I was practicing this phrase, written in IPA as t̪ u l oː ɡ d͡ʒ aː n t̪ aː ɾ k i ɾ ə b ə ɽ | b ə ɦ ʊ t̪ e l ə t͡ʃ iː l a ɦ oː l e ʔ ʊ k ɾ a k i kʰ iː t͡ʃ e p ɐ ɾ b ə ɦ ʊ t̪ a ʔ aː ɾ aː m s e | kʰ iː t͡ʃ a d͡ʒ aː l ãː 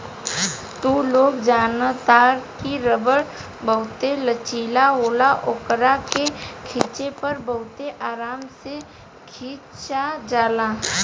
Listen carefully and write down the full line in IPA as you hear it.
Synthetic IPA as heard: t̪ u l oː ɡ d͡ʒ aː n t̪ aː ɾ k i ɾ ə b ə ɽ | b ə ɦ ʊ t̪ e l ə t͡ʃ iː l a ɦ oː l a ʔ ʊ k ɾ a k e kʰ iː t͡ʃ e p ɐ ɾ b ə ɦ ʊ t̪ e ʔ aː ɾ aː m s e | kʰ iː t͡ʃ a d͡ʒ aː l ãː